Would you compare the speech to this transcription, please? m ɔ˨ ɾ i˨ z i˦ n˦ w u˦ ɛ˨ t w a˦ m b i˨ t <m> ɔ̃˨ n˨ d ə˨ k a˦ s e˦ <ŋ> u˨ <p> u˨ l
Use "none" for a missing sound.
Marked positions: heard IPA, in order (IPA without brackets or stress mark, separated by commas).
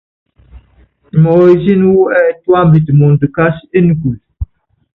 m, n, k